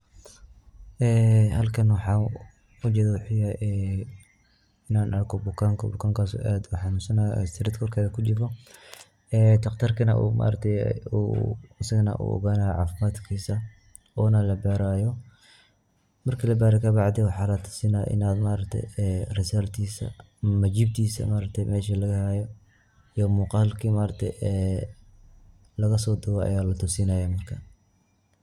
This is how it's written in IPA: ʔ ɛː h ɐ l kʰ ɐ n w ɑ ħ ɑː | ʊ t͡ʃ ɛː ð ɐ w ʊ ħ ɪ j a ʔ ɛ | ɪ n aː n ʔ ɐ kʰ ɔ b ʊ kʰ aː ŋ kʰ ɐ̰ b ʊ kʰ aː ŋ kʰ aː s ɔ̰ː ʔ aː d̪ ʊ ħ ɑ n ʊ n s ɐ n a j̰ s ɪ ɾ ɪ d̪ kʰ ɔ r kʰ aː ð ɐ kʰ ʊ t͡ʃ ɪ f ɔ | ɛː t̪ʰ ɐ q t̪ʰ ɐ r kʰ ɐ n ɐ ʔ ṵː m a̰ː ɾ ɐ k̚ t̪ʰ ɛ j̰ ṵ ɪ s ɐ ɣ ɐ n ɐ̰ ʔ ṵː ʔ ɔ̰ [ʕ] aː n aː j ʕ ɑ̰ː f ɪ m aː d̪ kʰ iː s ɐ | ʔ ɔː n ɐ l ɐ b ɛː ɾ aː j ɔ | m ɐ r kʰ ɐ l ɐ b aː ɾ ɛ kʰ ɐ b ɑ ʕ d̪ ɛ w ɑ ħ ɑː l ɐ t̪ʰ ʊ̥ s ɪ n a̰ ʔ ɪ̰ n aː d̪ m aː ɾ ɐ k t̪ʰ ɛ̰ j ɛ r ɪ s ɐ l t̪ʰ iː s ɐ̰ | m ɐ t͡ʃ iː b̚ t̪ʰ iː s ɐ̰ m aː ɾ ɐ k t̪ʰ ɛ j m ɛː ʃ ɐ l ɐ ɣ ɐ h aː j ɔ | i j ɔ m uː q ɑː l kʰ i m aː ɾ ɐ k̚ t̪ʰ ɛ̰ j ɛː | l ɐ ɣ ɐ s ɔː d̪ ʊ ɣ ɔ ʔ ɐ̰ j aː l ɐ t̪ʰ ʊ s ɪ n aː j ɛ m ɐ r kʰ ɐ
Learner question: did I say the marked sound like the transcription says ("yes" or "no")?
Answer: no